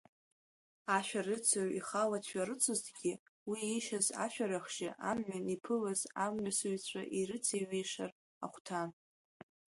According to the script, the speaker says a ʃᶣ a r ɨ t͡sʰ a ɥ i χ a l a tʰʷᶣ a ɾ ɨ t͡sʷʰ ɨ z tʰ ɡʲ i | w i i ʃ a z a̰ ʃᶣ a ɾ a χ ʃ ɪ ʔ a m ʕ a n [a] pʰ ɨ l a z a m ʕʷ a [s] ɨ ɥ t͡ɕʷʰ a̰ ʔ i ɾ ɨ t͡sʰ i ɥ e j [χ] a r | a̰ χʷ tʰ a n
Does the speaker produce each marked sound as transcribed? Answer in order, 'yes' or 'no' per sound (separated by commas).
no, yes, no